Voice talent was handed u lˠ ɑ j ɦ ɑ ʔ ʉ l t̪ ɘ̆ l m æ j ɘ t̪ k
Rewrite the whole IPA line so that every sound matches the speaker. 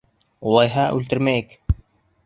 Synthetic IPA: u lˠ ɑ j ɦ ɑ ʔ ʉ l t̪ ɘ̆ ɾ m æ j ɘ k